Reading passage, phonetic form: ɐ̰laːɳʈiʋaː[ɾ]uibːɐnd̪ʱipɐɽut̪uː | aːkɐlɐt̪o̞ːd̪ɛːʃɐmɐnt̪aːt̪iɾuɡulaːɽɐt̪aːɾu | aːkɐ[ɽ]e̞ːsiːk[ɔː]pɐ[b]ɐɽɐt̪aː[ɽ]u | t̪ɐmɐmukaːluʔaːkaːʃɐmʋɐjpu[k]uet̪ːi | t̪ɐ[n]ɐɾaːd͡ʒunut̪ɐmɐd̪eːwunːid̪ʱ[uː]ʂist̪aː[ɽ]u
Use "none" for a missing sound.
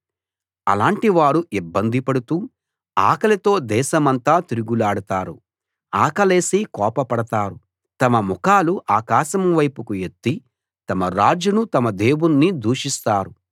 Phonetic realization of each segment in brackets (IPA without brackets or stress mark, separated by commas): ɽ, l, ɔː, p, ɾ, k, m, uː, ɾ